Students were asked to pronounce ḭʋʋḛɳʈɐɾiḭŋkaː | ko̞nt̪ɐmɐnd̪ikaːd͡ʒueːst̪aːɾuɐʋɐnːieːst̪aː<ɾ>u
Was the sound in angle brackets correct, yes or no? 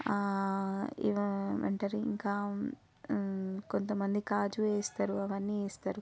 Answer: yes